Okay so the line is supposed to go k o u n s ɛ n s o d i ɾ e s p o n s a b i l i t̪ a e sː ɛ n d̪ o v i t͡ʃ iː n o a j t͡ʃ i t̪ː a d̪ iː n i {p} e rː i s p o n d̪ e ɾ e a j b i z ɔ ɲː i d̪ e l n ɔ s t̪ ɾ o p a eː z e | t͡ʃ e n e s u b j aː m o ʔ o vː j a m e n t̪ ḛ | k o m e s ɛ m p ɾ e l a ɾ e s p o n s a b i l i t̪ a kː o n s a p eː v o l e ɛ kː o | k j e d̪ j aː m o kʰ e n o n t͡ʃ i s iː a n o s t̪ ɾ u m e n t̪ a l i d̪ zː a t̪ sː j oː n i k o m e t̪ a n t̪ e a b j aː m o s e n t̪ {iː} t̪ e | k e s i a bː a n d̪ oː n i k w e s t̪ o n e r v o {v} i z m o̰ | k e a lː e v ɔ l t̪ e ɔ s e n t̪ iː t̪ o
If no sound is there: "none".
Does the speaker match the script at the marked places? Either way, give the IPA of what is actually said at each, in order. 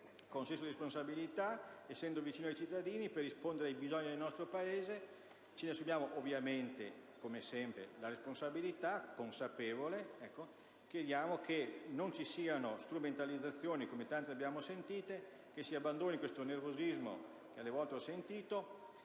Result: p, iː, z

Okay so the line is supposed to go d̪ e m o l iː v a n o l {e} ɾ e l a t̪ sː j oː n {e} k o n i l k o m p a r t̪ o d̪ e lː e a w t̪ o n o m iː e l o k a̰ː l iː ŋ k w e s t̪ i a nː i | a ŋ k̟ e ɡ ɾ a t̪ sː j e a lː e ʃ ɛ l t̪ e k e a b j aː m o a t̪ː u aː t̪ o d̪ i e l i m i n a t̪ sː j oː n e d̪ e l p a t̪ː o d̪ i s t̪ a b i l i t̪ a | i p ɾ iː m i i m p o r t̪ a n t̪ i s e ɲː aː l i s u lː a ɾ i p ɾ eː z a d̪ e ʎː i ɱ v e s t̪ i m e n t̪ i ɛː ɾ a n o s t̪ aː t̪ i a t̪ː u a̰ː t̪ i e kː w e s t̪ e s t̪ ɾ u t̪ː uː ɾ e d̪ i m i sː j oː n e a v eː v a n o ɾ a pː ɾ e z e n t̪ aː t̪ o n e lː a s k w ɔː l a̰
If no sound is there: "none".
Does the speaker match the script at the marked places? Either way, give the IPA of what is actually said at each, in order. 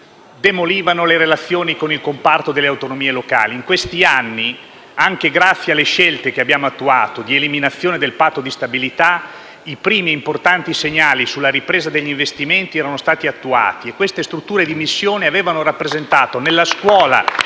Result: e, i

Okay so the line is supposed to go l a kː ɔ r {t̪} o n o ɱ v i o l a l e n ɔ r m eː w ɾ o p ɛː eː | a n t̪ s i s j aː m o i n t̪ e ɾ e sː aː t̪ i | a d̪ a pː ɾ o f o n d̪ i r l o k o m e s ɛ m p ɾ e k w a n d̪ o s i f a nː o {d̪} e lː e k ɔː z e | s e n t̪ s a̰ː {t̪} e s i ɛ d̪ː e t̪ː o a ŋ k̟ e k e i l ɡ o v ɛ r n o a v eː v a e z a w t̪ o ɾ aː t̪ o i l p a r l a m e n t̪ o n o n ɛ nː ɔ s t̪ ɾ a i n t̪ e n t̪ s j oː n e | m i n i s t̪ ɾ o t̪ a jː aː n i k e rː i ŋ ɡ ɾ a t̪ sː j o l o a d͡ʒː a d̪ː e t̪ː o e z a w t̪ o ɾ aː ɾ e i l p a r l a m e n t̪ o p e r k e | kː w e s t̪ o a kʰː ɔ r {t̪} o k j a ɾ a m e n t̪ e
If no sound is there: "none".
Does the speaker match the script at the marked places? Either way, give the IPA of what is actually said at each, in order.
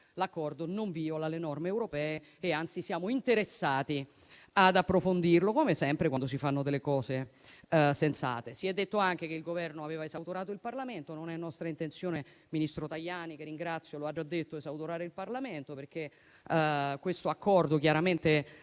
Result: d̪, d̪, t̪, d̪

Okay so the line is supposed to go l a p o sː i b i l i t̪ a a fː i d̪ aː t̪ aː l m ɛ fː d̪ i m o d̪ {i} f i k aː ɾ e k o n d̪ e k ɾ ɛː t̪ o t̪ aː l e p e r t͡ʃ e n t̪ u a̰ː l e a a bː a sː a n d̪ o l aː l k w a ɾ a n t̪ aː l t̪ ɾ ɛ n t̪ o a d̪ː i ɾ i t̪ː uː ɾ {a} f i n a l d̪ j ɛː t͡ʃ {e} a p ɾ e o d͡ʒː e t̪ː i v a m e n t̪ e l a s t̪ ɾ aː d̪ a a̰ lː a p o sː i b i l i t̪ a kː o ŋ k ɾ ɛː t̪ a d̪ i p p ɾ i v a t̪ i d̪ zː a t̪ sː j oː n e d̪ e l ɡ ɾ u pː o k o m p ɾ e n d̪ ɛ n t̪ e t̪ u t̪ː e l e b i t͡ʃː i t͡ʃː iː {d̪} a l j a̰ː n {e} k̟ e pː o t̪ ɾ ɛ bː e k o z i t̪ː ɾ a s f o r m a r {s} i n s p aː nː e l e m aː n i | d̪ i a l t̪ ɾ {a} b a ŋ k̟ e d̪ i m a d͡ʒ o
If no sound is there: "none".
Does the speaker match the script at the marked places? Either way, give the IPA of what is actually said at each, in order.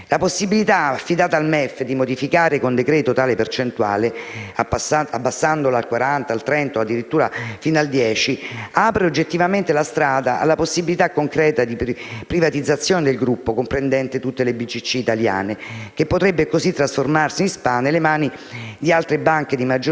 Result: i, a, i, t̪, e, s, e

